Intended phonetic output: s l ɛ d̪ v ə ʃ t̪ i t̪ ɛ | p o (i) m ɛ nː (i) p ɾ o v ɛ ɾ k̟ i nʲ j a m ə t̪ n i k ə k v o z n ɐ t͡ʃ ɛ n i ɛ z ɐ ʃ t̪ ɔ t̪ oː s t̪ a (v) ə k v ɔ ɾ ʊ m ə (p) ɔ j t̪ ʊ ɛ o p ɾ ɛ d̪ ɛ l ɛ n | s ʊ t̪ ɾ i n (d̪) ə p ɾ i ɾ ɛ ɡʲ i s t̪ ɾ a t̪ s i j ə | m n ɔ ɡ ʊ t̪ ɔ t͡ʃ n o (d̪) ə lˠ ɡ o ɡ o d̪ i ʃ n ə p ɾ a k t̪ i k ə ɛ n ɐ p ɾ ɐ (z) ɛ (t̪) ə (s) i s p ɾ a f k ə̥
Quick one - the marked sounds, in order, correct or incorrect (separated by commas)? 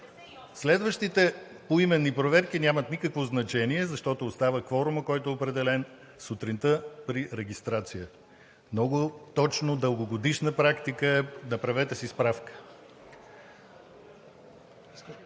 correct, correct, correct, incorrect, incorrect, correct, incorrect, correct, correct